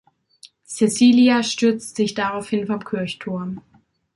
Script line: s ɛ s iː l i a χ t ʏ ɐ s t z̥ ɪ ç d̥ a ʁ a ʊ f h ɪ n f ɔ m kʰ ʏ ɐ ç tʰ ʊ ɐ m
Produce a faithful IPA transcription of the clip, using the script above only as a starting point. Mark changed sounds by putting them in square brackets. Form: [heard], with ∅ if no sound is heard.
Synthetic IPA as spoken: s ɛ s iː l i a [ʃ] t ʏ ɐ [t͡s] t z̥ ɪ ç d̥ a ʁ a ʊ f h ɪ n f ɔ m kʰ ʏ ɐ ç tʰ ʊ ɐ m